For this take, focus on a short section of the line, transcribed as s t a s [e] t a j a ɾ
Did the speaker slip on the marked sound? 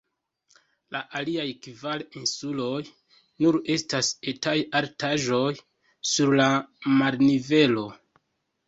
no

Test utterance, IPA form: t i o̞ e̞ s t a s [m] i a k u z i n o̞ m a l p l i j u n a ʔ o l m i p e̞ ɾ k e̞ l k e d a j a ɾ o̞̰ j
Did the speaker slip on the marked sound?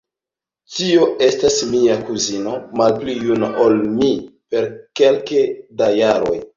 no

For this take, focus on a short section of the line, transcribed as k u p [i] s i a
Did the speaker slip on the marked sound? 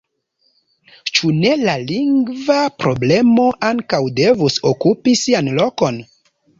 no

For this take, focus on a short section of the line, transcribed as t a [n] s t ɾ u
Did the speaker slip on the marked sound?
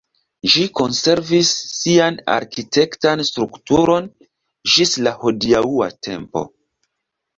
no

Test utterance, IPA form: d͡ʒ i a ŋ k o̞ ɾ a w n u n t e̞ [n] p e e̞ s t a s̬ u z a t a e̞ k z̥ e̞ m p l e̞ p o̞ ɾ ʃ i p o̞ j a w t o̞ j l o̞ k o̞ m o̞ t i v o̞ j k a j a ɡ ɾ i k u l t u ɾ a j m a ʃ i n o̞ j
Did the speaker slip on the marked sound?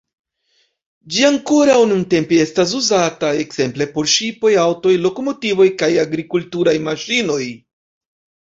yes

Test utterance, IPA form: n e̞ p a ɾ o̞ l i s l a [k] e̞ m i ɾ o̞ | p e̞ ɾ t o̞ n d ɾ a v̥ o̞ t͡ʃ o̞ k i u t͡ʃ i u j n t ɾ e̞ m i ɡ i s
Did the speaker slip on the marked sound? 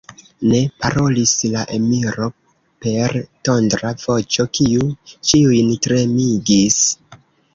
yes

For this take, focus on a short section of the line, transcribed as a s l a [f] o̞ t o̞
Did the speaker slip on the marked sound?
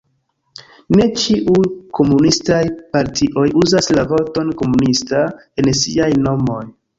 yes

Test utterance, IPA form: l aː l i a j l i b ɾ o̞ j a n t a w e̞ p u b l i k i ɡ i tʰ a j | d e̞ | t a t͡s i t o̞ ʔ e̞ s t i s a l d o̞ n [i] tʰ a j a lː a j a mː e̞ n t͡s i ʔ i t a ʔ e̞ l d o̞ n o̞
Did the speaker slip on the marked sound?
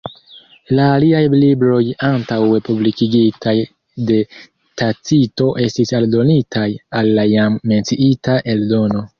no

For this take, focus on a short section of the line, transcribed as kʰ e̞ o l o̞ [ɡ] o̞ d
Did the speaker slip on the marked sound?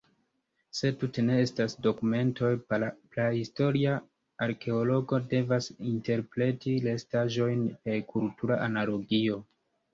no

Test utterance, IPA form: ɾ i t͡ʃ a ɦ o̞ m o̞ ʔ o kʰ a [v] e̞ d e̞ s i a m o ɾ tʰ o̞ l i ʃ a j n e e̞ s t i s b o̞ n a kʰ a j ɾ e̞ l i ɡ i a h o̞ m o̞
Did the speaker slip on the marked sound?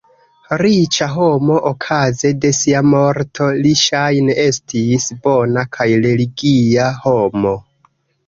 yes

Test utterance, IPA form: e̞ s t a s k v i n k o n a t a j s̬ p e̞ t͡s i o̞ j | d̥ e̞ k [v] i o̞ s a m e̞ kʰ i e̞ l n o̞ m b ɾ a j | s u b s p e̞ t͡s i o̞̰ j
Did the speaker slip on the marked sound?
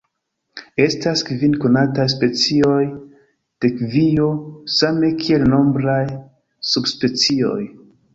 no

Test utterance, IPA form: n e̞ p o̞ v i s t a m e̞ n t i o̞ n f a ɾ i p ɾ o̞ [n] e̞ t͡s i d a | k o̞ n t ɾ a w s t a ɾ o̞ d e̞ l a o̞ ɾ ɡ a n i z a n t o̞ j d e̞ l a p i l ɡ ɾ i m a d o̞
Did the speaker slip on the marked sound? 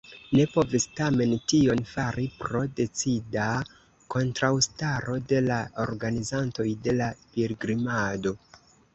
yes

